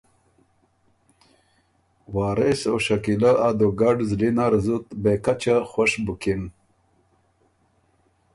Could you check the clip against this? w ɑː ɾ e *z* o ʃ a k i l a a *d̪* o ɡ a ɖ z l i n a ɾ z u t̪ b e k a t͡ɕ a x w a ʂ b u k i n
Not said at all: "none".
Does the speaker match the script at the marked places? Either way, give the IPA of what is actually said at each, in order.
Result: s, d̪

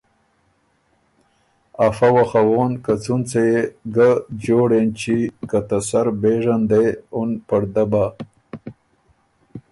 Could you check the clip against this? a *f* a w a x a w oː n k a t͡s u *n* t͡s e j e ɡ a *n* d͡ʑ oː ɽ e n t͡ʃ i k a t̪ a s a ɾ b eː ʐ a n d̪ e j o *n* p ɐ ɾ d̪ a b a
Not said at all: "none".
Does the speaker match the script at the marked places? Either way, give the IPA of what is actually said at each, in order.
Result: f, n, none, n

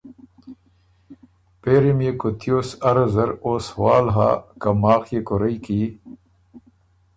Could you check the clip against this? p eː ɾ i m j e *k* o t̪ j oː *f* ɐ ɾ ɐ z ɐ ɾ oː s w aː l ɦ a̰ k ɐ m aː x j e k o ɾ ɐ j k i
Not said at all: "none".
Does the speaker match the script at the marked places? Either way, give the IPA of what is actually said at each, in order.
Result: k, s

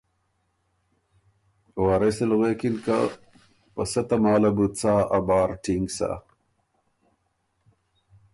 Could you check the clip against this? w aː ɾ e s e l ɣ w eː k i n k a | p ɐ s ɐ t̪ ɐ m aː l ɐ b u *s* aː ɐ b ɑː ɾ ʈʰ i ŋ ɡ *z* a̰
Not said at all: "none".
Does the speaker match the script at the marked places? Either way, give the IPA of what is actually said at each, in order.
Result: t͡s, s

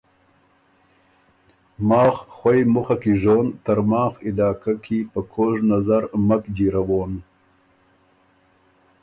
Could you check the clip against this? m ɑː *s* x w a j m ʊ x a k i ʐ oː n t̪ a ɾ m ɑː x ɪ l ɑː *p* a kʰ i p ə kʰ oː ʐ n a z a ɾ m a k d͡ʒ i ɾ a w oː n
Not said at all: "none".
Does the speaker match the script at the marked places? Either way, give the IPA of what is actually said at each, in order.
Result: x, k

